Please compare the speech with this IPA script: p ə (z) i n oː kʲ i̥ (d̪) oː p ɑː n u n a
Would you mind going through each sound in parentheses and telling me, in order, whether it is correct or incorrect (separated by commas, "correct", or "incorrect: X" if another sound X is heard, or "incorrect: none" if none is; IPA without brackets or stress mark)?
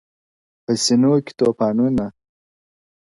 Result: incorrect: s, incorrect: t̪